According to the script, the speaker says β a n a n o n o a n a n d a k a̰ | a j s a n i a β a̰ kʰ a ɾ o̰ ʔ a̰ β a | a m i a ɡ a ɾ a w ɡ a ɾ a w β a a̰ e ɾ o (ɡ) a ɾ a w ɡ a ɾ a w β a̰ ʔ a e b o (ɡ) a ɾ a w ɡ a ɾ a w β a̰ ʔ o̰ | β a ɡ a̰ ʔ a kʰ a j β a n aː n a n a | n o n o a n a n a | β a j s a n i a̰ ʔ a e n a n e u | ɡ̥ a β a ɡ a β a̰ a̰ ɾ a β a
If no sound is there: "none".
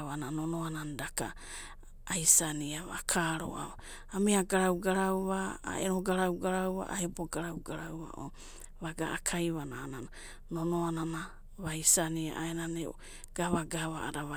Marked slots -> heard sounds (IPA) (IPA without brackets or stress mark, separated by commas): ɡ, ɡ